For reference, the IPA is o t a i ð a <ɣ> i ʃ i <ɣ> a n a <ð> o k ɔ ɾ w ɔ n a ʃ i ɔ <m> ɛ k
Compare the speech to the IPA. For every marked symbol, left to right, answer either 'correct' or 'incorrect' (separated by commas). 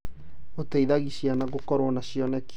correct, incorrect, incorrect, incorrect